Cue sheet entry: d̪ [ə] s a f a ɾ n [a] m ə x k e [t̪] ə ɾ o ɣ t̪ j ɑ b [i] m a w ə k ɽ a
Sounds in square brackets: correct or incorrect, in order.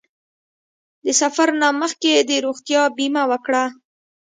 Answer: correct, correct, incorrect, correct

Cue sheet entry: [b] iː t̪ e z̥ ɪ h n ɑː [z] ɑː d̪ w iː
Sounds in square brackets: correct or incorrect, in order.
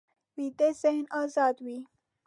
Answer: incorrect, correct

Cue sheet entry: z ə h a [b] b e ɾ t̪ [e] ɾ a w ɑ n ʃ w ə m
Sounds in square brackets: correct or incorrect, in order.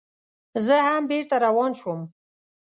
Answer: incorrect, incorrect

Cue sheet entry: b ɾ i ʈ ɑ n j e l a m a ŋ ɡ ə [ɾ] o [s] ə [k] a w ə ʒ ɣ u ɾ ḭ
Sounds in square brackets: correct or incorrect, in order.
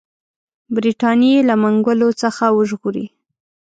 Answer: incorrect, incorrect, incorrect

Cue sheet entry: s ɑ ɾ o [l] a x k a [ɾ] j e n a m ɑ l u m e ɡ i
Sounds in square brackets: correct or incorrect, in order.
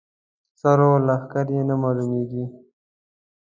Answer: correct, correct

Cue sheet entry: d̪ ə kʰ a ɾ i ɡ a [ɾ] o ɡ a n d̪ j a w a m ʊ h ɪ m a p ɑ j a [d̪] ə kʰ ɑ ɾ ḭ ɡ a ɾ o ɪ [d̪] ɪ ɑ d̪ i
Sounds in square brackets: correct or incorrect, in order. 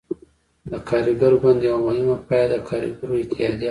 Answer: correct, correct, incorrect

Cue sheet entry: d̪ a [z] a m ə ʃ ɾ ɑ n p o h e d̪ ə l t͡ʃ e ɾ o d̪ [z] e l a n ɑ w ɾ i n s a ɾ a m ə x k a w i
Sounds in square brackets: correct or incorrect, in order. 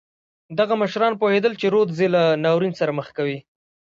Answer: incorrect, correct

